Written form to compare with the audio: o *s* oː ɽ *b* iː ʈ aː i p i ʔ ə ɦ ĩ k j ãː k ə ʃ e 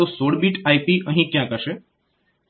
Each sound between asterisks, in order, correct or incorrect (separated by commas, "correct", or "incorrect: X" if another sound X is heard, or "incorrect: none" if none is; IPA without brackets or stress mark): correct, correct